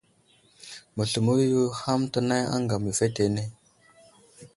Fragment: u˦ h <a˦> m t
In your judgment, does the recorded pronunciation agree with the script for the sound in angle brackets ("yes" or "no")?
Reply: yes